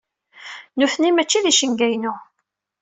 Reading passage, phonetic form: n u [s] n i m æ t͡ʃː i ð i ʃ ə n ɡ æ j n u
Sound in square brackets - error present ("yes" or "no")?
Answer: yes